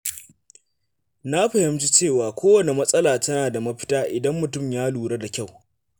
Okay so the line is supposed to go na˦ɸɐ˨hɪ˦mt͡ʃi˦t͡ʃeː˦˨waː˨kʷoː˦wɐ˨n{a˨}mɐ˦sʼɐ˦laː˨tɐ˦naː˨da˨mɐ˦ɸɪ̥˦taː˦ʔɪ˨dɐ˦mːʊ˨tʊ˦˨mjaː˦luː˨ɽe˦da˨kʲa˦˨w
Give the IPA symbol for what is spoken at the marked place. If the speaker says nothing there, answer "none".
e˨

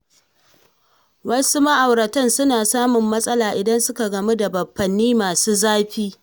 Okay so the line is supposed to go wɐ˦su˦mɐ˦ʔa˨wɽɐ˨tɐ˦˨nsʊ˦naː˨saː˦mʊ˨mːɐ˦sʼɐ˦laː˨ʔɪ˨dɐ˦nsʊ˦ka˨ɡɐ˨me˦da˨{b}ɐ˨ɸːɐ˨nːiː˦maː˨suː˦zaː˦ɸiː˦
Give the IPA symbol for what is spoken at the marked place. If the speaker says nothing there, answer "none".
b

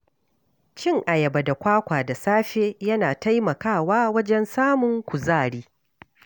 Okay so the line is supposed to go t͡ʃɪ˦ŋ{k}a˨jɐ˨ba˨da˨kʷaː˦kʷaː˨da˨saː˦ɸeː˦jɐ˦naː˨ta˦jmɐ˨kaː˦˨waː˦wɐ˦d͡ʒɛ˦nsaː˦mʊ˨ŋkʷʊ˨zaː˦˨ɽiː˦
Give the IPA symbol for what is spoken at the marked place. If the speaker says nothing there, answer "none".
ʔ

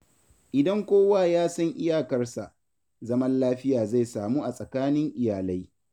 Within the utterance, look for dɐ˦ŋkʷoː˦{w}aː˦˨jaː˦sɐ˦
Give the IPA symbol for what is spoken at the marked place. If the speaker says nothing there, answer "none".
w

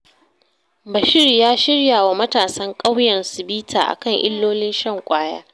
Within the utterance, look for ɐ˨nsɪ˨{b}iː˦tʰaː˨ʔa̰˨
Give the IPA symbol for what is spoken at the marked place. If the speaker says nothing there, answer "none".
b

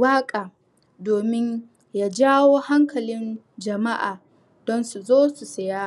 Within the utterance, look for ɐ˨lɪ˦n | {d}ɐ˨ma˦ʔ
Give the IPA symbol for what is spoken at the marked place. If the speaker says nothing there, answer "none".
d͡ʒ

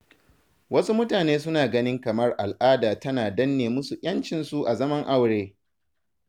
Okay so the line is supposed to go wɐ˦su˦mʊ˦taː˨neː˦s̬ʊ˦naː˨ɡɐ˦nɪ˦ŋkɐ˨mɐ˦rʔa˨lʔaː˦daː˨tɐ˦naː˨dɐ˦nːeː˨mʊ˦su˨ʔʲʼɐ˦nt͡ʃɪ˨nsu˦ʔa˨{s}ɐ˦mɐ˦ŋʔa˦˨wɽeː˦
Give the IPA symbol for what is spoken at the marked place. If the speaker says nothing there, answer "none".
z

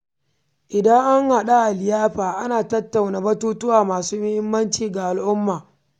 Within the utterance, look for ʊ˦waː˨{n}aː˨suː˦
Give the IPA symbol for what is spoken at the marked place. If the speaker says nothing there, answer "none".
m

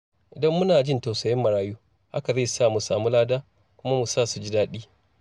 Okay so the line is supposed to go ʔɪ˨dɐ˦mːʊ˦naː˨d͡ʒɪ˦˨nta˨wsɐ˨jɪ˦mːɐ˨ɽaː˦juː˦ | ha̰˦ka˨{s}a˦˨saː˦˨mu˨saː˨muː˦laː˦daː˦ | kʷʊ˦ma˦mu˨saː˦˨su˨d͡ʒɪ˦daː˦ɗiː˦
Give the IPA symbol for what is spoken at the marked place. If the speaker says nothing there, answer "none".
z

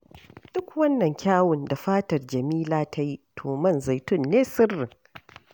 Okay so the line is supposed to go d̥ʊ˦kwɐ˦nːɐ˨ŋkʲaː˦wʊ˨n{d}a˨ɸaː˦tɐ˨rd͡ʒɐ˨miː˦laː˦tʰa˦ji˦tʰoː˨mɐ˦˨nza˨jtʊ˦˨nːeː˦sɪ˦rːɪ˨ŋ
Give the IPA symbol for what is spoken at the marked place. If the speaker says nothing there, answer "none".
d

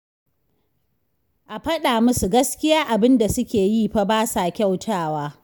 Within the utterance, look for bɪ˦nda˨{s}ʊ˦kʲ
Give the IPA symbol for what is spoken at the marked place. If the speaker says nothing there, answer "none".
s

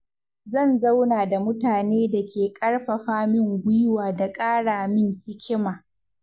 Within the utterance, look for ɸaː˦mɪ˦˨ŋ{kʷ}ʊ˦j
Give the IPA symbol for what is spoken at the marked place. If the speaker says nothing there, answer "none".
ɡʷ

